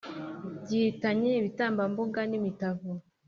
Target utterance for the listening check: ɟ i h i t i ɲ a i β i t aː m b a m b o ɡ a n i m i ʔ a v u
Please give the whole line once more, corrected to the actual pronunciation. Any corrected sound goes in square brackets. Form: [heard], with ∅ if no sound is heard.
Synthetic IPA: ɟ i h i t [a] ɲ [e] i β i t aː m b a m b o ɡ a n i m i [t] a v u